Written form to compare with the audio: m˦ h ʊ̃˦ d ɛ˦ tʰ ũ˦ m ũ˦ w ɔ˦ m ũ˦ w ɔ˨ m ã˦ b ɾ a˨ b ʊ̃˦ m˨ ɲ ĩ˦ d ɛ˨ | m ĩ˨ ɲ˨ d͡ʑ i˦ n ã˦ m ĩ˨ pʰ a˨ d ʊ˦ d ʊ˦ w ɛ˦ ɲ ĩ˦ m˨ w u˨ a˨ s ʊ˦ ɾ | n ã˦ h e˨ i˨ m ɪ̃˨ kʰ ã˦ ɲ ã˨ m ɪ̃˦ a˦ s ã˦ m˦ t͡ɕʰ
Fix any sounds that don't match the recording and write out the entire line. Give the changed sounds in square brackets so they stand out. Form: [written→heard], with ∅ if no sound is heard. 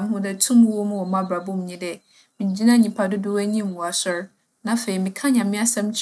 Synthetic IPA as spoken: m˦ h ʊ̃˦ d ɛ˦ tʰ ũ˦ m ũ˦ w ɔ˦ m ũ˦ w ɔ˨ m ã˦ b ɾ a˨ b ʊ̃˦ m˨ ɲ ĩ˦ d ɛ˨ | m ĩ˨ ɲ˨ d͡ʑ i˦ n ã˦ [m→ɲ] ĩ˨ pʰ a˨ d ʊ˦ d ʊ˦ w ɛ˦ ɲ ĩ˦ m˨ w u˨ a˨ s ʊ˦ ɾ | n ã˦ [h→f] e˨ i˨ m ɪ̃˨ kʰ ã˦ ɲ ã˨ m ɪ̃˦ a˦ s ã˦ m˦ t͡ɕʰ